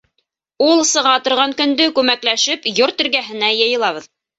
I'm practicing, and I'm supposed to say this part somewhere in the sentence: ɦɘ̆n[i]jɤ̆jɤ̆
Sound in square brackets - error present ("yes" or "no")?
yes